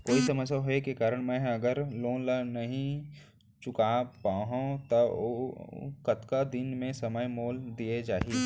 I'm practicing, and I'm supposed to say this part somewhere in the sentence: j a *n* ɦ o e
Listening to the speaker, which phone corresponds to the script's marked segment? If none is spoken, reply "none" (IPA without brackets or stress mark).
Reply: none